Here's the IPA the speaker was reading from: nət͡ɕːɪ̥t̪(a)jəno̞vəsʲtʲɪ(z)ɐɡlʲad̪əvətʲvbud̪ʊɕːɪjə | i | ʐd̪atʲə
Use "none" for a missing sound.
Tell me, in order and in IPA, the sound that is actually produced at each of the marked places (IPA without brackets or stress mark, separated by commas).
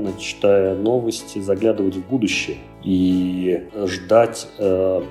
a, z